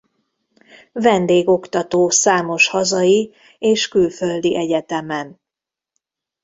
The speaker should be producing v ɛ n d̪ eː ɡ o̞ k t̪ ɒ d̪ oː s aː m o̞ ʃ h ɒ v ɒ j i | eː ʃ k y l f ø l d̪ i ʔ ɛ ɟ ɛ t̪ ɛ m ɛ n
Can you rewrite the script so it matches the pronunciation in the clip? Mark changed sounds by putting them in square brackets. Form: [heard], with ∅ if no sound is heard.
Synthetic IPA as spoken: v ɛ n d̪ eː ɡ o̞ k t̪ ɒ [t̪] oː s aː m o̞ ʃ h ɒ [z] ɒ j i | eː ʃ k y l f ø l d̪ i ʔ ɛ ɟ ɛ t̪ ɛ m ɛ n